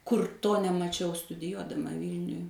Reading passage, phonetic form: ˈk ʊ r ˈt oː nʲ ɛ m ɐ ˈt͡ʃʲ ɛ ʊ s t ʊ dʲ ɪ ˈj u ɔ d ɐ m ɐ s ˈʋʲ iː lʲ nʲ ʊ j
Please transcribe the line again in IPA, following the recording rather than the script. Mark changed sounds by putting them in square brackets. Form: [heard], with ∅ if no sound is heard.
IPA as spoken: ˈk ʊ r ˈt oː nʲ ɛ m ɐ ˈt͡ʃʲ ɛ ʊ s t ʊ dʲ ɪ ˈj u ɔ d ɐ m ɐ [∅] ˈʋʲ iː lʲ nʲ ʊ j